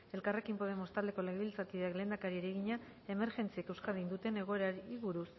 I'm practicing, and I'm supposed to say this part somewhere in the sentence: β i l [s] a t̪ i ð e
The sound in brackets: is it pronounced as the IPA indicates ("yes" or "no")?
no